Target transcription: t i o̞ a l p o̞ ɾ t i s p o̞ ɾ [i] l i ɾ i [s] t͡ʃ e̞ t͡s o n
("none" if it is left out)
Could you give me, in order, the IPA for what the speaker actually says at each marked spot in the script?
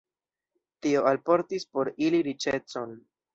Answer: i, none

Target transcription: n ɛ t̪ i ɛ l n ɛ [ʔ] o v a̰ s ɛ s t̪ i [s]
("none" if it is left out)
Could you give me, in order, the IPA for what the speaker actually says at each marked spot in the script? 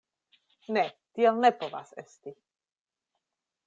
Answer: p, none

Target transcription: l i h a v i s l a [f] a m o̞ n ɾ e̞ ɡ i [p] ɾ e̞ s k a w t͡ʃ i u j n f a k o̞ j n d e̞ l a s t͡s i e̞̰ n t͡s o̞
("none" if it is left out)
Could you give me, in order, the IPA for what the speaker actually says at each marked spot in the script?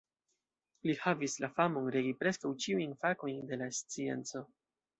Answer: f, p

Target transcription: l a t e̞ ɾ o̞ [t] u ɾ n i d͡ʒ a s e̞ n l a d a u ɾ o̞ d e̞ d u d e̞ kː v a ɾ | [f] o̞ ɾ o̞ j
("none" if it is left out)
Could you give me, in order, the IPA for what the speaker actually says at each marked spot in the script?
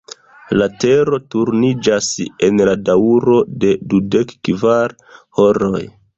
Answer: t, h

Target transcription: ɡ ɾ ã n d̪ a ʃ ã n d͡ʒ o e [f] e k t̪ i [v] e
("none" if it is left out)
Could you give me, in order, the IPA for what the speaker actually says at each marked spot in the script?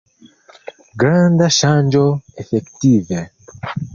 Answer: f, v

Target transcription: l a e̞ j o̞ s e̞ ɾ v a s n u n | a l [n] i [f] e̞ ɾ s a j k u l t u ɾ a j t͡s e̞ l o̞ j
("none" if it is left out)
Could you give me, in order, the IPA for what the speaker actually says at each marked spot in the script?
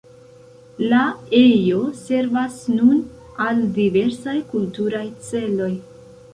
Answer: d, v

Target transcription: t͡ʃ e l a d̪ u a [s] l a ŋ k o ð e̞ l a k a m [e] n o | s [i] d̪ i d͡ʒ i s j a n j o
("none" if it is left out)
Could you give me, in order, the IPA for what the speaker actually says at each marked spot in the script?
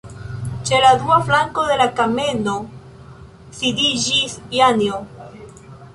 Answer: f, e, i

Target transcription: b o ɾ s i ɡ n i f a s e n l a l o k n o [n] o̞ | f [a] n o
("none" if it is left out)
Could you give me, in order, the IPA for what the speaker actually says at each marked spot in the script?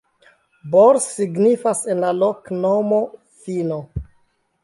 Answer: m, i

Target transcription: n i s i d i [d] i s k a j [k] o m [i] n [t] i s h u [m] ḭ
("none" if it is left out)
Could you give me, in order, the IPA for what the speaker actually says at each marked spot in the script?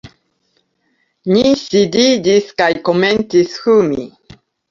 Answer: d, k, e, t, m

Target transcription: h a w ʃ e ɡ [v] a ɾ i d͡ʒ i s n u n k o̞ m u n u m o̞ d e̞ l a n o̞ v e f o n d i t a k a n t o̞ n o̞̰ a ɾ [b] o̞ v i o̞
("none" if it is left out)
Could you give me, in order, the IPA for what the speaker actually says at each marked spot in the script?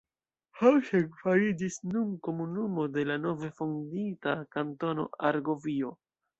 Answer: f, ɡ

